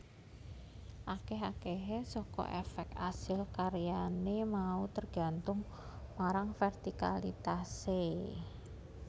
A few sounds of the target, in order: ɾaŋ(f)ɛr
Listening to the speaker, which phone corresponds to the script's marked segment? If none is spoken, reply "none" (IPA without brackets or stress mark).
f